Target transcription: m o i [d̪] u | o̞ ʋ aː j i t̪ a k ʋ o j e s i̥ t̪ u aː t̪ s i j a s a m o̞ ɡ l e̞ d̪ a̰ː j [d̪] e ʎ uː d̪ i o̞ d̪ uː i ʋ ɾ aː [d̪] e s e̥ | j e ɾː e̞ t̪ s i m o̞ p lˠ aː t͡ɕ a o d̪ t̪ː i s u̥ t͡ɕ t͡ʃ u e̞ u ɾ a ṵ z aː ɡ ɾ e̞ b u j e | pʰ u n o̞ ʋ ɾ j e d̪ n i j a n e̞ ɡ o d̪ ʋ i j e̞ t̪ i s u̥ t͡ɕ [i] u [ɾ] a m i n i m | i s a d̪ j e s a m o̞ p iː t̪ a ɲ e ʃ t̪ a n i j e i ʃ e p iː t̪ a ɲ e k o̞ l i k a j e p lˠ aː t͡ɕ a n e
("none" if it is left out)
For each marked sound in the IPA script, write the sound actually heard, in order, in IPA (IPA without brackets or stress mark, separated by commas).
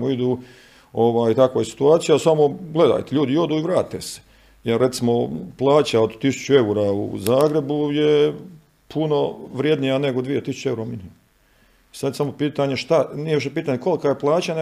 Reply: d̪, t̪, t̪, e, ɾ